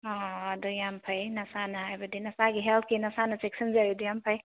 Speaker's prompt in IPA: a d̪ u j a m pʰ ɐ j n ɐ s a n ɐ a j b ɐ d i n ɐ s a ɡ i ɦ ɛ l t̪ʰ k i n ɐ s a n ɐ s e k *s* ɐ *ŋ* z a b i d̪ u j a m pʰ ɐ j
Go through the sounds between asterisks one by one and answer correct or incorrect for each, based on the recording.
correct, incorrect: n

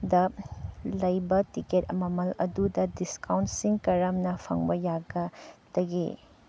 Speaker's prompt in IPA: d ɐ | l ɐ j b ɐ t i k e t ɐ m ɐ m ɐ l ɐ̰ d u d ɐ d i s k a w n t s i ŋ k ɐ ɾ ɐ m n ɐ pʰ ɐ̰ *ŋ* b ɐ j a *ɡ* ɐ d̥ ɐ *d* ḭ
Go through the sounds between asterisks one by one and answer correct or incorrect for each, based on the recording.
correct, correct, incorrect: ɡ

